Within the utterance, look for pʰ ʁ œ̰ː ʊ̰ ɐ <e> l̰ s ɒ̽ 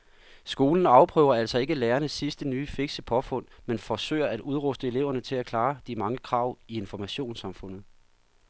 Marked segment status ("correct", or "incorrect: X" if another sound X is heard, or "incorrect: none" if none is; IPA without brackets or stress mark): incorrect: æ